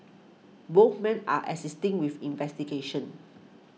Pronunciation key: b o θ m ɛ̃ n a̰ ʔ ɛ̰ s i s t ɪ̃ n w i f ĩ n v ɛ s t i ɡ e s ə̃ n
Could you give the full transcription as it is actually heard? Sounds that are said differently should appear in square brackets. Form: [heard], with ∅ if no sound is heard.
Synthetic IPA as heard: b o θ m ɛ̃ n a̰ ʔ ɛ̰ s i s t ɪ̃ [ŋ] w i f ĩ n v ɛ s t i ɡ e [ʃ] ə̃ n